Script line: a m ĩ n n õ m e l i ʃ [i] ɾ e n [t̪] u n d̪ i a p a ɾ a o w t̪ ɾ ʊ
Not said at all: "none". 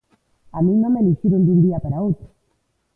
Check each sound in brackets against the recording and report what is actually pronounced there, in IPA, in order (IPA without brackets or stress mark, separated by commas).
i, d̪